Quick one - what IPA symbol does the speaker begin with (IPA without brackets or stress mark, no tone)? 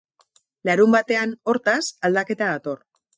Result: l